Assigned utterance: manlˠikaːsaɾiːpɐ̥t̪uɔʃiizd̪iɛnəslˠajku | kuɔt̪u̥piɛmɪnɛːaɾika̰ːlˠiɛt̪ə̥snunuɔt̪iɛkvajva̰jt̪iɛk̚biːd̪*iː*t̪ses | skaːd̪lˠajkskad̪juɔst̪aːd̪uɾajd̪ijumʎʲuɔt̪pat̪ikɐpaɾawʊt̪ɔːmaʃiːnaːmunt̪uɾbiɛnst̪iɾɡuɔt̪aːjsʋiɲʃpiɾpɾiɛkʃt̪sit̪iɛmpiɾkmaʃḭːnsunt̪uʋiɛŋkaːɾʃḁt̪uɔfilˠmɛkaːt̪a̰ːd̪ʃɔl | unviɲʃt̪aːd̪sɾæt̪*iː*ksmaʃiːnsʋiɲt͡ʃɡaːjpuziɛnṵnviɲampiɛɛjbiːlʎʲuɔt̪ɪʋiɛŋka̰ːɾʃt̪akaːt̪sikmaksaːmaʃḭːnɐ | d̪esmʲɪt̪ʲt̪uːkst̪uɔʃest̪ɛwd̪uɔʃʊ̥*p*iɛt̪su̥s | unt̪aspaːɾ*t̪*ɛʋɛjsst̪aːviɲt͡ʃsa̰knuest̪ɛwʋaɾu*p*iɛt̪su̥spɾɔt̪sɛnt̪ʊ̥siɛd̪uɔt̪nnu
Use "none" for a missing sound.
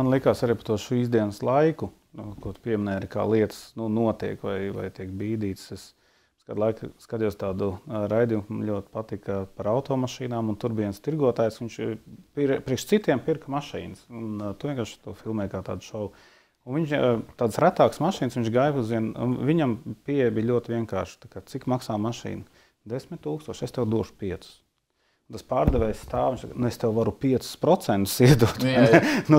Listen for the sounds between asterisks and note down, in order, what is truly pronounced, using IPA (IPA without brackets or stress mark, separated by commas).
iː, aː, p, d̪, p